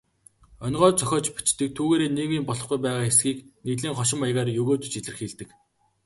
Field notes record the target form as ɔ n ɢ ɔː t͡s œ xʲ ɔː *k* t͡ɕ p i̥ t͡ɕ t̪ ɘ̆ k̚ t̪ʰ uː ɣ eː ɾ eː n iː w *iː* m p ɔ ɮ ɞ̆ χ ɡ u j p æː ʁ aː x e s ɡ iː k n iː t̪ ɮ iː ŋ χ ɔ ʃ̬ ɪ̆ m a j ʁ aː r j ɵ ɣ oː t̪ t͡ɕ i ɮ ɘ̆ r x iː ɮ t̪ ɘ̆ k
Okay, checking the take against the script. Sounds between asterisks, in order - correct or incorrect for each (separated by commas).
incorrect, correct